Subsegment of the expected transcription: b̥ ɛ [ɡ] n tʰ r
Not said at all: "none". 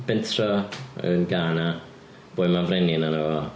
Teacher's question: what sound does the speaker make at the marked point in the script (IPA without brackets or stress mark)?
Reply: none